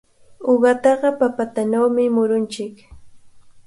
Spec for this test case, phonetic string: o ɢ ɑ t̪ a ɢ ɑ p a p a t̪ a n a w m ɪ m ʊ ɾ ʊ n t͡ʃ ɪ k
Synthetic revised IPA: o ɢ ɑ t̪ ɑ ɢ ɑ p a p a t̪ a n a w m ɪ m ʊ ɾ ʊ n t͡ʃ ɪ k